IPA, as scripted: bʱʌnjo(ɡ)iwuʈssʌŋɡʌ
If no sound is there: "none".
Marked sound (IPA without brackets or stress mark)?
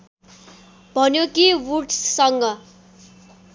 k